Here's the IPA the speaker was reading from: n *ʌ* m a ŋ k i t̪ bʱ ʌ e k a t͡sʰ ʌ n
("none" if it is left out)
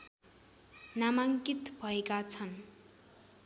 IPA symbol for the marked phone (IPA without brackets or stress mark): a